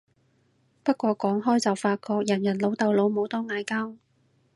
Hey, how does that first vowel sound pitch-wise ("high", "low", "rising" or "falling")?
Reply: high